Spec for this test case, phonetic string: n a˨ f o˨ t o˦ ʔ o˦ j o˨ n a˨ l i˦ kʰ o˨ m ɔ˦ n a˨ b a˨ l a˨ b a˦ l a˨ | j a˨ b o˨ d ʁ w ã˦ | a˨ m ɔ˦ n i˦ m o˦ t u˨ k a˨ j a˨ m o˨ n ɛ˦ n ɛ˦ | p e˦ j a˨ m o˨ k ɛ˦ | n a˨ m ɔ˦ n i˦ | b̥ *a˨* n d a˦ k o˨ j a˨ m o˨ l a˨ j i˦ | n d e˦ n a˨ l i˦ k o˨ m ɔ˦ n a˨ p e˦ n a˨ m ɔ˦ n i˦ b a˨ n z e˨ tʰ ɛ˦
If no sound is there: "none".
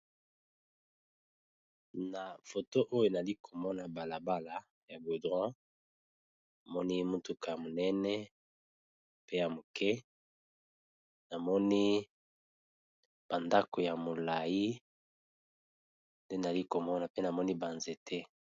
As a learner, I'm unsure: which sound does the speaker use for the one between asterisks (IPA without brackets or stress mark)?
a˨